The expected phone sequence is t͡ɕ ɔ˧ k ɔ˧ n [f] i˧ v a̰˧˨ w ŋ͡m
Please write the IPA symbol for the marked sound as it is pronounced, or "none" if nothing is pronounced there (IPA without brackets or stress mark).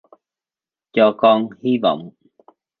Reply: h